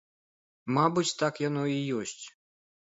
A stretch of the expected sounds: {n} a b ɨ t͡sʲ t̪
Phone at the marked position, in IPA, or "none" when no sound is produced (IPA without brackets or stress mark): m